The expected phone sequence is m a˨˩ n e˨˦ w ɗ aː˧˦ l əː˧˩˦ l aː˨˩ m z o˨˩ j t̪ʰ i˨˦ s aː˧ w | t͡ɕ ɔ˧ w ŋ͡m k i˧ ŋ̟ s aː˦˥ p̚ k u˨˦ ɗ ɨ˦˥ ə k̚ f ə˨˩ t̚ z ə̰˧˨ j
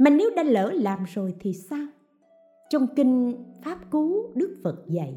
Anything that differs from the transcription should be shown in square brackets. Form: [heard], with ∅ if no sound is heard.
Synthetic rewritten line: m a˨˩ n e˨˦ w ɗ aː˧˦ l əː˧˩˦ l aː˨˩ m z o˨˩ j t̪ʰ [i˨˩] s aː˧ w | t͡ɕ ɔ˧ w ŋ͡m k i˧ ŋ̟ [f] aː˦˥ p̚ k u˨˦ ɗ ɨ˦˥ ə k̚ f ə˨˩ t̚ z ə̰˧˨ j